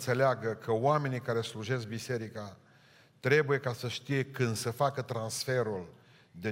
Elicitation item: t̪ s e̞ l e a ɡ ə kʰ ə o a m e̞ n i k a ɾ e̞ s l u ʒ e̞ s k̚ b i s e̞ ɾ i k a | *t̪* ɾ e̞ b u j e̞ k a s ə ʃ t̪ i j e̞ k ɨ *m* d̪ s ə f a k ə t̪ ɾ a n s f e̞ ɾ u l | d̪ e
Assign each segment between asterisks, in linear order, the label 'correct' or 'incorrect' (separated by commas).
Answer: correct, incorrect